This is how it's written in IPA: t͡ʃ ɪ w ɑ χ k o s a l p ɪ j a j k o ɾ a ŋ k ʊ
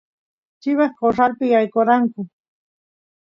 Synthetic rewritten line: t͡ʃ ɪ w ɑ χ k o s a l p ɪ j a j k o ɾ a ŋ k ʊ